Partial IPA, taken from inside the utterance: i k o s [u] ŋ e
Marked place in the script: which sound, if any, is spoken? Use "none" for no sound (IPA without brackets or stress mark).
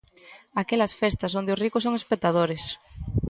o